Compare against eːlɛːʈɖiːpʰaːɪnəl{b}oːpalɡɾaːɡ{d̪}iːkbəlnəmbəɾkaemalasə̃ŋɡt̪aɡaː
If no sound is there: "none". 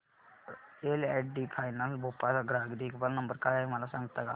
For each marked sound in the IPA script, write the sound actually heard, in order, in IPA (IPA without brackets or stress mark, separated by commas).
b, d̪